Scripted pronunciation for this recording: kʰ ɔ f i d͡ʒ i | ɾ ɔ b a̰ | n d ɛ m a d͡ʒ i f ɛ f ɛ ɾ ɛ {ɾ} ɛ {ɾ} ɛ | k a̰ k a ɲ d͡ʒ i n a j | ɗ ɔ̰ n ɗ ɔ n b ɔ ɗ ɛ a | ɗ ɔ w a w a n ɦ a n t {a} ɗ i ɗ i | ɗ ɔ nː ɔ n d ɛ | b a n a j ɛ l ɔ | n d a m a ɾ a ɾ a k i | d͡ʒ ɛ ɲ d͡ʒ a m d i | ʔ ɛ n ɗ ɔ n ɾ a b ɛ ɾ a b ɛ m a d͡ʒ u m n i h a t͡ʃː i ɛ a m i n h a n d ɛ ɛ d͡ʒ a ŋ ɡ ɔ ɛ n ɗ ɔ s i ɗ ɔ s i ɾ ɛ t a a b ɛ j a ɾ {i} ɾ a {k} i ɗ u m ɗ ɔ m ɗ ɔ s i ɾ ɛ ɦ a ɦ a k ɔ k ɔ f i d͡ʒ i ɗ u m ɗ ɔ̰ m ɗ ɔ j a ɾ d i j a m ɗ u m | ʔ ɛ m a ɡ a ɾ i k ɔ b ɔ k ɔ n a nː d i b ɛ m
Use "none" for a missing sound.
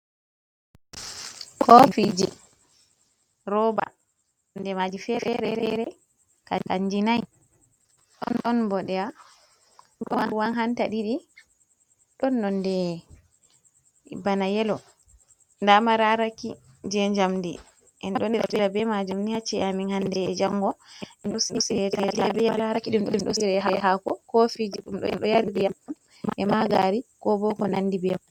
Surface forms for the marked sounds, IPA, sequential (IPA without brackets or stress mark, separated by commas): ɾ, ɾ, a, a, k